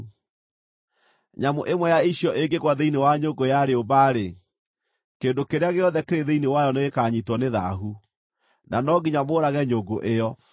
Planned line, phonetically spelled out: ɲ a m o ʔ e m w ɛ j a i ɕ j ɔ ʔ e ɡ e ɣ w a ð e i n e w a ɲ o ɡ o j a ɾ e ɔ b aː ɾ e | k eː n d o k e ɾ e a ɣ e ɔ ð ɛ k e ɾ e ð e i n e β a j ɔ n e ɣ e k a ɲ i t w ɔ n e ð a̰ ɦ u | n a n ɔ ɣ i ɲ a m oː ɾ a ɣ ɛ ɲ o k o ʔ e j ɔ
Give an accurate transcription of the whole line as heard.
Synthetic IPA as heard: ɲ a m o ʔ e m w ɛ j a i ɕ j ɔ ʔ e ɡ e ɣ w a ð e i n e w a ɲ o ɡ o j a ɾ e o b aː ɾ e | k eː n d o k e ɾ e a ɣ e ɔ ð ɛ k e ɾ e ð e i n e w a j ɔ n e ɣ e k a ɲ i t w ɔ n e ð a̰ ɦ u | n a n ɔ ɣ i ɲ a m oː ɾ a ɣ ɛ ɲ o ɡ o ʔ e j ɔ